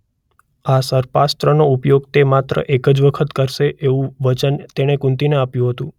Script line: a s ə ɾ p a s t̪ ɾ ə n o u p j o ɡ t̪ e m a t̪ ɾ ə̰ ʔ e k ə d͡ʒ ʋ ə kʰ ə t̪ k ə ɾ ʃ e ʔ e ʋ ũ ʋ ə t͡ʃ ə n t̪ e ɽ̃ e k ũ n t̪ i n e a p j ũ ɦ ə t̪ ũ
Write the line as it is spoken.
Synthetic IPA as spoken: a s ə ɾ p a s t̪ ɾ ə n o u p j o ɡ t̪ e m a t̪ ɾ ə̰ ʔ e k ə d͡ʒ ʋ ə kʰ ə t̪ k ə ɾ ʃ e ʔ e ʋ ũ ʋ ə t͡ʃ ə n t̪ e ɽ̃ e k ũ n t̪ i n e a p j ũ ɦ ə t̪ ũ